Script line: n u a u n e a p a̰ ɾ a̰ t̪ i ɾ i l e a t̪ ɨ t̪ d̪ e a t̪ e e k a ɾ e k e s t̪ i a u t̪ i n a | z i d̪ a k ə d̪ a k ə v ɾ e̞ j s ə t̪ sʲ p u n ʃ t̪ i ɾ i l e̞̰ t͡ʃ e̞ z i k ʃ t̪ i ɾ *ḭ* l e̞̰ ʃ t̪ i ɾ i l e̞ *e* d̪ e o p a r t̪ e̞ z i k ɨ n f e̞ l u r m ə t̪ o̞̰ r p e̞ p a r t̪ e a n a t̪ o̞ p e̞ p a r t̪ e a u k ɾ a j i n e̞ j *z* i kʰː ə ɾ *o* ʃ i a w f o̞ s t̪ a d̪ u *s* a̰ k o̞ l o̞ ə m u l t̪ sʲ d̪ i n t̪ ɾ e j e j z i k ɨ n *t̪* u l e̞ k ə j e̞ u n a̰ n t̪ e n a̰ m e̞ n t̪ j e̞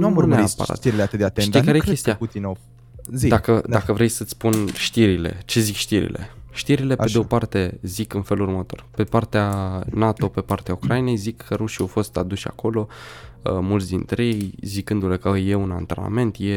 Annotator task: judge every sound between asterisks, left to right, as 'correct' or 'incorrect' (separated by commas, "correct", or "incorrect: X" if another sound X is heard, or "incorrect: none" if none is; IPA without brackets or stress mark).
correct, correct, correct, incorrect: u, incorrect: ʃ, incorrect: d̪